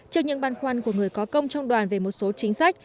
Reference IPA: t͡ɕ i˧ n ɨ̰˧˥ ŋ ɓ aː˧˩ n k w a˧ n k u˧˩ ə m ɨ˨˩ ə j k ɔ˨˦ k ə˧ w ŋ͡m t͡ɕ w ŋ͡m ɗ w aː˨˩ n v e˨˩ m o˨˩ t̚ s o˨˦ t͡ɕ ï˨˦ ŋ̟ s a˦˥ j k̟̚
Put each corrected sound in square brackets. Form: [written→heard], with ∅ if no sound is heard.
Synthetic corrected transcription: t͡ɕ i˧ [n→ɲ] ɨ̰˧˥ ŋ ɓ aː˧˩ n [k→x] w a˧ n k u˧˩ ə [m→ŋ] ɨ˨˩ ə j k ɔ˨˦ k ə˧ w ŋ͡m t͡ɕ w ŋ͡m ɗ w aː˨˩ n v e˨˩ m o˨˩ t̚ s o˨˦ t͡ɕ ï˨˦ ŋ̟ s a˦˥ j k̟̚